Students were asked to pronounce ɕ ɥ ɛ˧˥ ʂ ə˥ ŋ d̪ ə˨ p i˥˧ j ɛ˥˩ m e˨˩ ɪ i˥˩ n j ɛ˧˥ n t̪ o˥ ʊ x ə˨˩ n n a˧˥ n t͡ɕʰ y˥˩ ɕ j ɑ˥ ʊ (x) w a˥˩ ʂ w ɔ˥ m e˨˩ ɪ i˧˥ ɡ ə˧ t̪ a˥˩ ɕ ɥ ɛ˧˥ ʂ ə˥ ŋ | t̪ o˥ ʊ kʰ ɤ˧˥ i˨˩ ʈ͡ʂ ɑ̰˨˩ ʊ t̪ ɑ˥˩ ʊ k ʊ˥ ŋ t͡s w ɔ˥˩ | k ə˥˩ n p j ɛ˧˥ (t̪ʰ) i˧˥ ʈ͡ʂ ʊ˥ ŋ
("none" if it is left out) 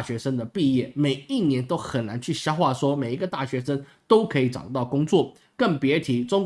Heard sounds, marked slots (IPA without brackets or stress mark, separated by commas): x, t̪ʰ